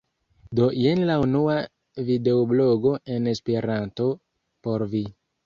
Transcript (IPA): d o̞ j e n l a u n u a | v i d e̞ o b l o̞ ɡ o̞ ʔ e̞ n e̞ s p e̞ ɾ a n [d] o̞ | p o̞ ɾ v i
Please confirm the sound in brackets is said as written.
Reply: no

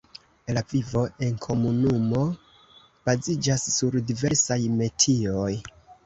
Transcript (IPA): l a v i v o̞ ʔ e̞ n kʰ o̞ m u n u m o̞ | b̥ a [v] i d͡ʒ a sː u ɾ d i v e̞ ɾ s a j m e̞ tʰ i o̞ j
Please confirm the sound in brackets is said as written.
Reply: no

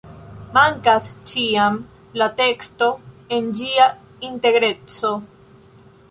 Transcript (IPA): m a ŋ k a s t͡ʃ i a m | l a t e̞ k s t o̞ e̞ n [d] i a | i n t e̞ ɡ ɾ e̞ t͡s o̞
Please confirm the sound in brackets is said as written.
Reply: no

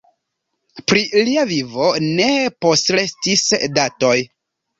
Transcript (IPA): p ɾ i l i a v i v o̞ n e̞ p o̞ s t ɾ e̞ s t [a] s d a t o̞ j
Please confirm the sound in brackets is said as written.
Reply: no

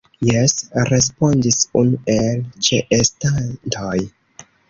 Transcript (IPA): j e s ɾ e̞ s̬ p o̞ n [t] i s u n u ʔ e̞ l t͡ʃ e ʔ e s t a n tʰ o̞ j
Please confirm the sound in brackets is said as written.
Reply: no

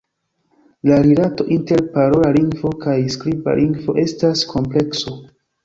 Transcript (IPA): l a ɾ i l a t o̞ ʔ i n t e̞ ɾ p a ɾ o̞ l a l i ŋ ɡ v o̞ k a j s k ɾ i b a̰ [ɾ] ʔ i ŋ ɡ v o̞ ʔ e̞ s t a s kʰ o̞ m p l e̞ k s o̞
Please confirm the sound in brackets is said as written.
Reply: no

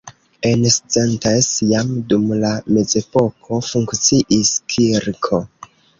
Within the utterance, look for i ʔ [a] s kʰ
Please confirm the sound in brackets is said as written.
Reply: no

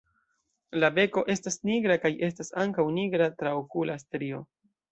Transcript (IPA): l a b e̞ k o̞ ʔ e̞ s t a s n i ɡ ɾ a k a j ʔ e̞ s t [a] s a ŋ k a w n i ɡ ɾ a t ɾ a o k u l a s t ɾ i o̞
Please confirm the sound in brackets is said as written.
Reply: yes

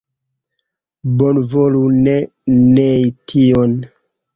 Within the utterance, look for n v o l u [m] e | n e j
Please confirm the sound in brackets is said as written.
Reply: no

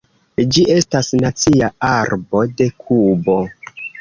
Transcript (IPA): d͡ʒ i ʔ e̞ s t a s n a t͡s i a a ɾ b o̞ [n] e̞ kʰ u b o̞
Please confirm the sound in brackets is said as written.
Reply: no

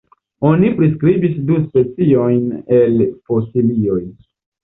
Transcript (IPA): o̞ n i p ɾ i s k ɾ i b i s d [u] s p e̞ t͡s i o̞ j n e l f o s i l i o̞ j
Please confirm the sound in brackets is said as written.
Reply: yes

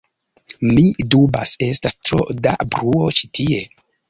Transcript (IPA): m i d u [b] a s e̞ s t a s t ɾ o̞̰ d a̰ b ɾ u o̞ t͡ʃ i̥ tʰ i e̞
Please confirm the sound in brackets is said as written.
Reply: yes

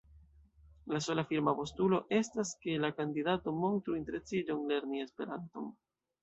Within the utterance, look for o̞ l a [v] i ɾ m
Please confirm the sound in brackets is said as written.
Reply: no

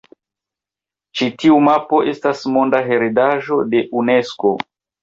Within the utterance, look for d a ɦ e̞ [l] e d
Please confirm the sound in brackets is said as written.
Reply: no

